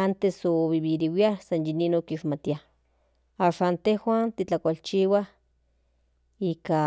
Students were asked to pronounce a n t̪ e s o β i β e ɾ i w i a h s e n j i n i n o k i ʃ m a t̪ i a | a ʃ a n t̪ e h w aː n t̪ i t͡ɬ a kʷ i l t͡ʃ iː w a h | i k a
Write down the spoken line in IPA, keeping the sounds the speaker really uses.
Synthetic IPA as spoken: a n t̪ e s o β i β i ɾ i w i a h s a n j i n i n o k i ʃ m a t̪ i a | a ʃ a n t̪ e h w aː n t̪ i t͡ɬ a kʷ a l t͡ʃ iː w a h | i k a